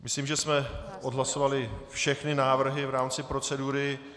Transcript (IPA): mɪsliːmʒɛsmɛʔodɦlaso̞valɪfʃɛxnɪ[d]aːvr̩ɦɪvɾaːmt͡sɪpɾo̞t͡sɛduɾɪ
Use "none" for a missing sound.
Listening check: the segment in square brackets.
n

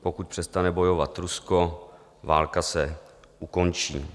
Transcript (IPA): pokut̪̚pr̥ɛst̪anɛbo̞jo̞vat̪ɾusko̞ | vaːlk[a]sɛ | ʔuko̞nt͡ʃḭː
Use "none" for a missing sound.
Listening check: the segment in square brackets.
a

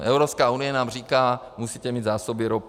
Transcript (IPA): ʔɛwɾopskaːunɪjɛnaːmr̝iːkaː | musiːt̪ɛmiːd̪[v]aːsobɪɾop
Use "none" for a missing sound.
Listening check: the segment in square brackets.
z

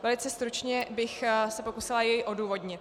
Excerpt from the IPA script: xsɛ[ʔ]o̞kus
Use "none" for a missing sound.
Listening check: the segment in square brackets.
p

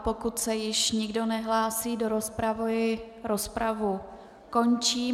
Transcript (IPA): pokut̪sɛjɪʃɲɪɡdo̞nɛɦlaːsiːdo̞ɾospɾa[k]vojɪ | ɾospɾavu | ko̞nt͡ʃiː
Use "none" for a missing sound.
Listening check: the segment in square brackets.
none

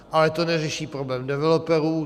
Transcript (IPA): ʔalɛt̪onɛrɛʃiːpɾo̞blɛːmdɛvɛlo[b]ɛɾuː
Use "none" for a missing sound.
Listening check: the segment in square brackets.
p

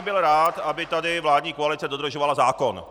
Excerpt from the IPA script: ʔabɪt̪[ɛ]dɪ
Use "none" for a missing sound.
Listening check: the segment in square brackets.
a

